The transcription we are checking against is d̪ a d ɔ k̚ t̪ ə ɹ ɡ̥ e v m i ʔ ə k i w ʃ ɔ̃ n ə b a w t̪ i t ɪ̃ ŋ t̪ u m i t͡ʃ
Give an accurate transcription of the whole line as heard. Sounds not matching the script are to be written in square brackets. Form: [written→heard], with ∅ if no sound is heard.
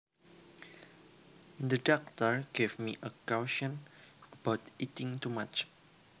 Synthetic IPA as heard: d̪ [a→ə] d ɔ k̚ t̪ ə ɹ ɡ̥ e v m i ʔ ə k [i→a] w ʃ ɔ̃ n ə b a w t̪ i t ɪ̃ ŋ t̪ u m [i→a] t͡ʃ